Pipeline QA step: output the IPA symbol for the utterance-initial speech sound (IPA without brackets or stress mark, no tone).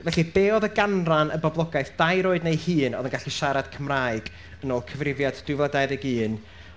v